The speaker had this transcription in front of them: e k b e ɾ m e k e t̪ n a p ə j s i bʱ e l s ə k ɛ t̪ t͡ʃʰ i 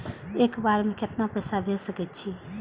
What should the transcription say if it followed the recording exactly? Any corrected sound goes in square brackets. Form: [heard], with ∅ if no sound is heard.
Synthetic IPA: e k b [a] ɾ m e k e t̪ n a p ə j s [a] bʱ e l s ə k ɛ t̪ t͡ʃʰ i